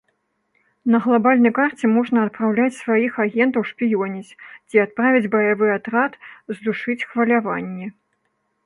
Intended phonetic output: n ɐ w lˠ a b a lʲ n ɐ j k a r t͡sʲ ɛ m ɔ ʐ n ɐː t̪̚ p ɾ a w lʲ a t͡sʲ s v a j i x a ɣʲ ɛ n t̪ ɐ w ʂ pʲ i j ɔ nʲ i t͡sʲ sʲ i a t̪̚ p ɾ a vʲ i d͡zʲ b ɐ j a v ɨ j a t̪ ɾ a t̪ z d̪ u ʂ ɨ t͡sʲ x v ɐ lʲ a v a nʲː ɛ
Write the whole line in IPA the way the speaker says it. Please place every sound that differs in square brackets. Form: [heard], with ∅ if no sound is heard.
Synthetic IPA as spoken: n ɐ [ɣ] lˠ a b a lʲ n ɐ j k a r t͡sʲ ɛ m ɔ ʐ n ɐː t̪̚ p ɾ a w lʲ a t͡sʲ s v a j i x a ɣʲ ɛ n t̪ ɐ w ʂ pʲ i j ɔ nʲ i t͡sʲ [t͡sʲ] i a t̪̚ p ɾ a vʲ i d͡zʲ b ɐ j a v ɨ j a t̪ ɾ a t̪ z d̪ u ʂ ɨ t͡sʲ x v ɐ lʲ a v a nʲː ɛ